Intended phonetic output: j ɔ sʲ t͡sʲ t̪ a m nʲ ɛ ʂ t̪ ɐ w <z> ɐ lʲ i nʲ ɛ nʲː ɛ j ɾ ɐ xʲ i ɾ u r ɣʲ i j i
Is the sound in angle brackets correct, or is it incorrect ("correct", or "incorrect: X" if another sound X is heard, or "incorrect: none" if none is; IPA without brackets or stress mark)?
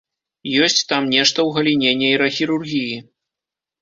incorrect: ɣ